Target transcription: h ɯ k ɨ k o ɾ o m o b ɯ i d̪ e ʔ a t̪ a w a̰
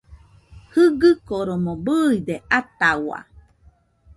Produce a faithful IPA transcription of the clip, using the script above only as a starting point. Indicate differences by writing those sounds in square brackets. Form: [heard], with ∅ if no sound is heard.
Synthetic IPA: h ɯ [ɡ] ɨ k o ɾ o m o b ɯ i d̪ e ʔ a t̪ a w a̰